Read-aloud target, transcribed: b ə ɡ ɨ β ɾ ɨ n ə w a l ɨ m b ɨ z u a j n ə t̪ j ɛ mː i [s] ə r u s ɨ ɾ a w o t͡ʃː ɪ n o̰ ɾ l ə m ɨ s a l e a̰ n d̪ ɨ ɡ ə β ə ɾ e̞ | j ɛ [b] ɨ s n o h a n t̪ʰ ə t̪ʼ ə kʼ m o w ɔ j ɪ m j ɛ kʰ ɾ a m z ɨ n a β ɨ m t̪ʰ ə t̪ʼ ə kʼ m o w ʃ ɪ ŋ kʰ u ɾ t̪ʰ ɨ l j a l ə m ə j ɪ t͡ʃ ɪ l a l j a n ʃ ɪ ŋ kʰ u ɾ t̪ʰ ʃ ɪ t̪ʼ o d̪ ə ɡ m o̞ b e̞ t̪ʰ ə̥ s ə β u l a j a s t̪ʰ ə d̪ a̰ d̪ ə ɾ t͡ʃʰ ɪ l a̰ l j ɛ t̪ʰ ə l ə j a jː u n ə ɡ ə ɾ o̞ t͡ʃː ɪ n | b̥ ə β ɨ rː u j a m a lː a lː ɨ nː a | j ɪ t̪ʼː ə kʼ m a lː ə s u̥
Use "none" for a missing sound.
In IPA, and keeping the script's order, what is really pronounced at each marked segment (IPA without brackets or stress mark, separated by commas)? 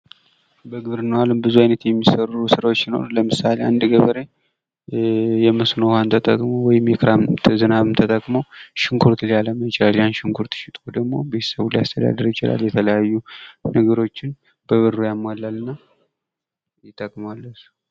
s, m